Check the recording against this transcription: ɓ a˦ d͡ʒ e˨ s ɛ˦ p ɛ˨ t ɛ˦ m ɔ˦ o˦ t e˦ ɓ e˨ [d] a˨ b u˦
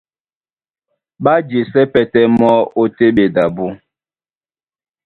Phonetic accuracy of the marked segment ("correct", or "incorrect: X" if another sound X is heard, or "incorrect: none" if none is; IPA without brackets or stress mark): correct